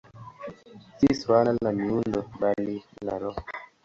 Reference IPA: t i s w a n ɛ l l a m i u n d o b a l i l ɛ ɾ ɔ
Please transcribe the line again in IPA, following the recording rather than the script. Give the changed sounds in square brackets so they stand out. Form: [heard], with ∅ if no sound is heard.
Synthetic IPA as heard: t i s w a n [a] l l a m i u n d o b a l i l [a] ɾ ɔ